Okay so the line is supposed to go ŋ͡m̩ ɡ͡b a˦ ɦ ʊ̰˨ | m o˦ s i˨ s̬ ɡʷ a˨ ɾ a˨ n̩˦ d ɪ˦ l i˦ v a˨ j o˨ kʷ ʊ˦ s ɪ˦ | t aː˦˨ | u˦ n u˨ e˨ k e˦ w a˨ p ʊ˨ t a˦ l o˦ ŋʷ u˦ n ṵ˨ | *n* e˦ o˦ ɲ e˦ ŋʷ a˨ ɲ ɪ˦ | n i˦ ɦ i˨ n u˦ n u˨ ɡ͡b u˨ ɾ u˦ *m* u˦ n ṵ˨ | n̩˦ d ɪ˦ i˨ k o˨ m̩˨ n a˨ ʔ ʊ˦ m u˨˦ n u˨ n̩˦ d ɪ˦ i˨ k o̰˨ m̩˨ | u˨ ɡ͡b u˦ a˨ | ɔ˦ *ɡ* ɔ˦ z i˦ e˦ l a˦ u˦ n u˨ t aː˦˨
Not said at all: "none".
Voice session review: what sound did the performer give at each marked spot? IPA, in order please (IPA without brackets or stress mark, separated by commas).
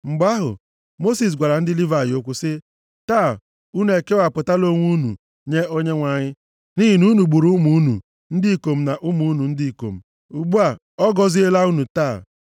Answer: ɲ, m, ɡ